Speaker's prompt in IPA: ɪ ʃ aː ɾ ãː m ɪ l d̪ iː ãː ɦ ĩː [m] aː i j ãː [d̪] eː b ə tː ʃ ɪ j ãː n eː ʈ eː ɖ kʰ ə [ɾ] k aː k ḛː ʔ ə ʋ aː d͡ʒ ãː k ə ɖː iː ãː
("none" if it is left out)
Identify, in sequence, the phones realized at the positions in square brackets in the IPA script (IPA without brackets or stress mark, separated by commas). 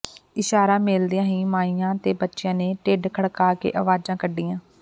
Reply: m, t̪, ɽ